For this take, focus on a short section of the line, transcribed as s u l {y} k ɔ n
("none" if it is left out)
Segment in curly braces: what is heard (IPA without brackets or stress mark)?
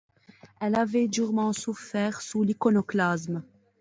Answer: i